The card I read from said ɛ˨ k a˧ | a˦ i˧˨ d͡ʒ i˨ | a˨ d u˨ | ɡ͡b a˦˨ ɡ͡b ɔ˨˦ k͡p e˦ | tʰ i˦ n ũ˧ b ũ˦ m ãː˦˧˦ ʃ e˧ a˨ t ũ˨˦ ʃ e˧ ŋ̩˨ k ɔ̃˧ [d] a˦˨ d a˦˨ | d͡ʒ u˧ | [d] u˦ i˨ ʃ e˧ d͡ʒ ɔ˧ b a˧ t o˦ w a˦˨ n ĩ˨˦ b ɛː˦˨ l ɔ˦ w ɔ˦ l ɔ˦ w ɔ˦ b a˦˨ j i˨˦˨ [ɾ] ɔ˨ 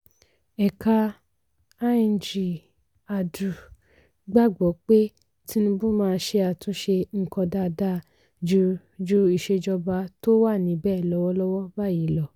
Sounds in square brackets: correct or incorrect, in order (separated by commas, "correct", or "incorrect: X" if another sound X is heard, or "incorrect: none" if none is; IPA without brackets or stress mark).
correct, incorrect: d͡ʒ, incorrect: l